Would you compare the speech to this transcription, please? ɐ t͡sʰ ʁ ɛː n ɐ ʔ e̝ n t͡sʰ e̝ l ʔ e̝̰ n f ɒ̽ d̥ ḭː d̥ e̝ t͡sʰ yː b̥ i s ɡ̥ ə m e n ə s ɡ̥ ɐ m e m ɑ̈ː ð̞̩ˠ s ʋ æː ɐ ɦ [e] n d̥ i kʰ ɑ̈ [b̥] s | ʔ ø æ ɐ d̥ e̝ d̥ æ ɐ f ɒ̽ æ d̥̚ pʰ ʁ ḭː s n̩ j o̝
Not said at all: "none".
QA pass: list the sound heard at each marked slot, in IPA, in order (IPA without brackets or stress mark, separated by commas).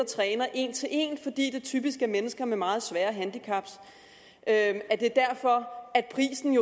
æ, b̥